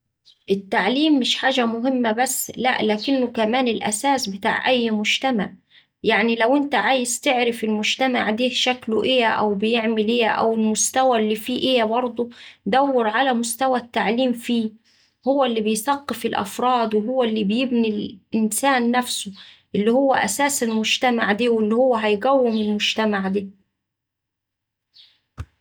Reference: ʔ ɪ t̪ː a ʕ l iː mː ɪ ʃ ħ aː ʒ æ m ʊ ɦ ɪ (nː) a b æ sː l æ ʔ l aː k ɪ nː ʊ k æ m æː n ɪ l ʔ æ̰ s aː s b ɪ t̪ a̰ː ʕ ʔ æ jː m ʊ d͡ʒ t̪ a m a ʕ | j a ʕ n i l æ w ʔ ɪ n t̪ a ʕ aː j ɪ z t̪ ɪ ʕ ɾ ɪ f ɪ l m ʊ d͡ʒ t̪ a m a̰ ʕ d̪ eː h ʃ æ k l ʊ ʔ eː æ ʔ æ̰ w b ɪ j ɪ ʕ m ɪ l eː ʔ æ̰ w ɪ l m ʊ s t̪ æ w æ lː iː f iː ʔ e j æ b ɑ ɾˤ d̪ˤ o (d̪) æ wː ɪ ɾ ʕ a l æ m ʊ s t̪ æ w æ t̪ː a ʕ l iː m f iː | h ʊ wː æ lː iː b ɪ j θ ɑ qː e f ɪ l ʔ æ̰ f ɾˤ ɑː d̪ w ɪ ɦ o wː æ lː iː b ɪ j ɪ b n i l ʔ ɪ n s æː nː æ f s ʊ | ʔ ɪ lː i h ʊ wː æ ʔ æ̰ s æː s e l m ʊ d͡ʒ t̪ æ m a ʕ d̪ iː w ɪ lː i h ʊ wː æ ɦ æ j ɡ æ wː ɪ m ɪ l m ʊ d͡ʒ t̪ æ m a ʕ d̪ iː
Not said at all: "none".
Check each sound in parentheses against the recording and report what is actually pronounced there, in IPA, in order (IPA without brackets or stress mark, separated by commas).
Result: mː, d̪